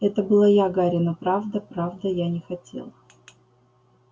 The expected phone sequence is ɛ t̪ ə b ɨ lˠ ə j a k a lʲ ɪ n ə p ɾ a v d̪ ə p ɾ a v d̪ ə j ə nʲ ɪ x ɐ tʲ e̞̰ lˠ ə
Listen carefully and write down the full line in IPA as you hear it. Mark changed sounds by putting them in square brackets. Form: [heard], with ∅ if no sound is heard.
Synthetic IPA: ɛ t̪ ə b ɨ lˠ [a] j a [ɡ] a [ɾʲ] ɪ n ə p ɾ a v d̪ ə p ɾ a v d̪ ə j [a] nʲ ɪ x ɐ tʲ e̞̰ lˠ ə